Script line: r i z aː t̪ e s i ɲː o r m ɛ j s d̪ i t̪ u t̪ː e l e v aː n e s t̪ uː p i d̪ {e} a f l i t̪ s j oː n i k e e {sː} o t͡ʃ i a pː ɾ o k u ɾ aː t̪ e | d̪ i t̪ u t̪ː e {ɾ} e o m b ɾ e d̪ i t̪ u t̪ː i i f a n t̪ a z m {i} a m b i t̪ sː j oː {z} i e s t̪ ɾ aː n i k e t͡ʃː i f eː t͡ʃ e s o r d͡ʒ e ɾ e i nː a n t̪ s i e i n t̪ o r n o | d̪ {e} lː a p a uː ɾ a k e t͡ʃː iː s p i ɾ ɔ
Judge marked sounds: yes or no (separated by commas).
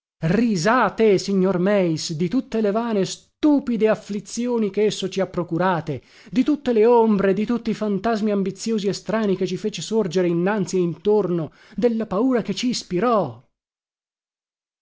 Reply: yes, yes, no, yes, yes, yes